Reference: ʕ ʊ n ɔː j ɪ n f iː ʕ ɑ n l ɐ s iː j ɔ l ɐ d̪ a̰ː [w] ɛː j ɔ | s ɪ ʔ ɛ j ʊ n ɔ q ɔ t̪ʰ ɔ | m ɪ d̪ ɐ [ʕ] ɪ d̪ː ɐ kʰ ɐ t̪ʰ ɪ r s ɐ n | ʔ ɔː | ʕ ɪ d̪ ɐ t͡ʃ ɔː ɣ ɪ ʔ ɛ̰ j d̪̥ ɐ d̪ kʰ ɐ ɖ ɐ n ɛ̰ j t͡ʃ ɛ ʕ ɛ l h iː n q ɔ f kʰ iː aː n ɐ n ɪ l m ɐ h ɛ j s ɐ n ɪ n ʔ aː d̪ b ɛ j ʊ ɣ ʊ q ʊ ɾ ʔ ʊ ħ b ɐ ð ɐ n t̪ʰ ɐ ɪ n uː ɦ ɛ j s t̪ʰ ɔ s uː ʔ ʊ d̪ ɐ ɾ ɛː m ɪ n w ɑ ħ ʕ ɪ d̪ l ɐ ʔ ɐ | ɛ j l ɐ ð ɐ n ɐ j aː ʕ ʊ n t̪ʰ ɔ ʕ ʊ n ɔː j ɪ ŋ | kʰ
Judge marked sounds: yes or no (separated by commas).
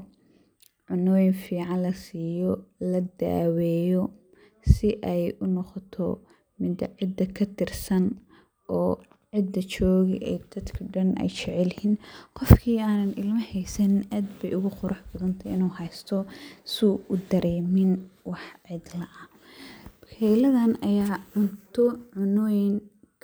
yes, yes